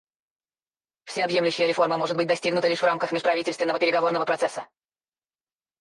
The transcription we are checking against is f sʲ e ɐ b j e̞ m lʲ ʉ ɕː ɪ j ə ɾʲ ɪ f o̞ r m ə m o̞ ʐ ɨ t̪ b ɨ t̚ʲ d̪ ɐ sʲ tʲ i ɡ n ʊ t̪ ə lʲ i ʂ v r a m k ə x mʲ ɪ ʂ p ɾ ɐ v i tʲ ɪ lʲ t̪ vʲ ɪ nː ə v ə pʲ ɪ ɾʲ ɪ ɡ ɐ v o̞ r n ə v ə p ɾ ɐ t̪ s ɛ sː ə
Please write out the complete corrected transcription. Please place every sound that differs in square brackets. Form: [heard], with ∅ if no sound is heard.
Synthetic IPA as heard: f sʲ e ɐ b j e̞ m lʲ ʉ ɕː ɪ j ə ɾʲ ɪ f o̞ r m ə m o̞ ʐ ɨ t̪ b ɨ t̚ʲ d̪ ɐ sʲ tʲ i ɡ n ʊ t̪ ə lʲ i ʂ v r a m k ə x mʲ ɪ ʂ p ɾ ɐ v i tʲ ɪ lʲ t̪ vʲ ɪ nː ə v ə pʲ ɪ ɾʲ ɪ ɡ ɐ v o̞ r n ə v ə p ɾ ɐ t̪ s ɛ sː ə